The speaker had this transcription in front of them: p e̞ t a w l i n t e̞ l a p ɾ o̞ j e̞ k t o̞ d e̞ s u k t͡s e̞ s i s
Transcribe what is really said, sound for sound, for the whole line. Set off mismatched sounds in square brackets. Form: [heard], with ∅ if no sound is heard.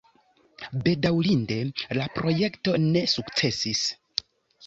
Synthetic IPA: [b] e̞ [d] a w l i n [d] e̞ l a p ɾ o̞ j e̞ k t o̞ [n] e̞ s u k t͡s e̞ s i s